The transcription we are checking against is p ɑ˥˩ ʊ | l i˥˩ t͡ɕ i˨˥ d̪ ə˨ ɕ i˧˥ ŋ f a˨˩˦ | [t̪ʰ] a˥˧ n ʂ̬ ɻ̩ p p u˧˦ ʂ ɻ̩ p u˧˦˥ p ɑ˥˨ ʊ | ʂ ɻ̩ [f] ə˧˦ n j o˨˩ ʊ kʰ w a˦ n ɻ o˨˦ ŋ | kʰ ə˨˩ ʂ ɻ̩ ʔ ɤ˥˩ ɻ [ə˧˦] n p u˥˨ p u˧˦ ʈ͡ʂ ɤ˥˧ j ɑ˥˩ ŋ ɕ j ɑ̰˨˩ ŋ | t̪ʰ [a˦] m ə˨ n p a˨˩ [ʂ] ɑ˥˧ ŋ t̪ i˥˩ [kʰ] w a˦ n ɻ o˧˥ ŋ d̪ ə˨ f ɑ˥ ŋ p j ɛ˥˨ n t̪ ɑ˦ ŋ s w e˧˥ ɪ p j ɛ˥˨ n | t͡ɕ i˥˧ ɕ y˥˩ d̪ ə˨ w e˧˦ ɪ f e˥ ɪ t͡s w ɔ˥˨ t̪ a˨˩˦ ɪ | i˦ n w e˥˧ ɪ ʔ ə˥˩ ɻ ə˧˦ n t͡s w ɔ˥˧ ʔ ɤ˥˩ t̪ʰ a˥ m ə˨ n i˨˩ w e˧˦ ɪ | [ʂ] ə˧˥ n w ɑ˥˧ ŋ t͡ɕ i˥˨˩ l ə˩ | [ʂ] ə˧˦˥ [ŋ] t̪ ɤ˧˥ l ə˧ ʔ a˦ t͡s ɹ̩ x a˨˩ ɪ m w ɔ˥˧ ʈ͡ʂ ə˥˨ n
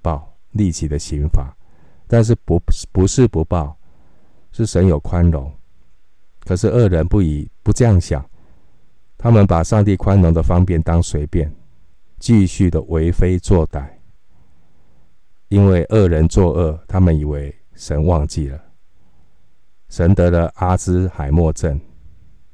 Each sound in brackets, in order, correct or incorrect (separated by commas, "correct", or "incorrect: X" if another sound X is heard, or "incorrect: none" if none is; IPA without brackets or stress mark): incorrect: t̪, incorrect: ʂ, correct, correct, correct, correct, correct, correct, incorrect: n